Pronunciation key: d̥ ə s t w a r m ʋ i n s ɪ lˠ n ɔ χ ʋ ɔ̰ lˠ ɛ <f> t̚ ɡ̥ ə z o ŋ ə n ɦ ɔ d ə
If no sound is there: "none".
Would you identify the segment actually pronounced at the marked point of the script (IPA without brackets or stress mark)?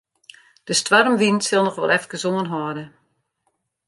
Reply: f